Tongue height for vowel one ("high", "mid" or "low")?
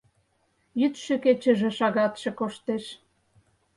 high